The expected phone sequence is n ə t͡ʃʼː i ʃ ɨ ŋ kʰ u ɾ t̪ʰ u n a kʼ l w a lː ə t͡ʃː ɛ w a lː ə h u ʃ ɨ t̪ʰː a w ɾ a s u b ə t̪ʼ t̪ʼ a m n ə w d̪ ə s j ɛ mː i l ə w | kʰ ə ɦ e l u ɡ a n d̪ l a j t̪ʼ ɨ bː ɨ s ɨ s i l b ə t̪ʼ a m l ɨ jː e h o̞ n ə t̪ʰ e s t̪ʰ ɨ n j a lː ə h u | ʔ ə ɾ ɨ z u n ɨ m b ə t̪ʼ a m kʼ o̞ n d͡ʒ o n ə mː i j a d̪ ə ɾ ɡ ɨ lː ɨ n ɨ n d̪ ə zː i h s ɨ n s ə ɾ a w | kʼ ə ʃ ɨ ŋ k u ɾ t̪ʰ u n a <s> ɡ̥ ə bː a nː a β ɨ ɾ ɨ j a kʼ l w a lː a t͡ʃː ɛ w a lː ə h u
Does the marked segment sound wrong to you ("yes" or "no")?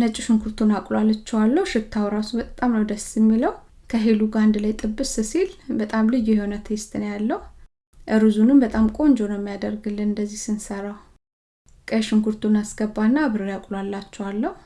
no